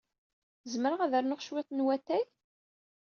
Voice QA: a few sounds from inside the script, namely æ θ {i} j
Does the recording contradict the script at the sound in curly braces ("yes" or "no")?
yes